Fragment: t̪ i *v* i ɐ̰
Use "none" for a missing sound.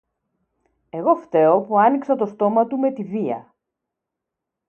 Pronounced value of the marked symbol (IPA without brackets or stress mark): v